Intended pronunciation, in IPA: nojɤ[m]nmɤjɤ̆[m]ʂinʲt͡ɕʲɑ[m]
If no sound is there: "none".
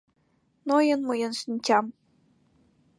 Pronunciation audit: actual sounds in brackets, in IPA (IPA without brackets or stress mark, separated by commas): none, n, m